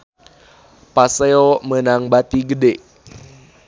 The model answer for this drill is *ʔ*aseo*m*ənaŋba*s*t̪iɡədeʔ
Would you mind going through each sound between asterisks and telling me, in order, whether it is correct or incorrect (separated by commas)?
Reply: incorrect, correct, incorrect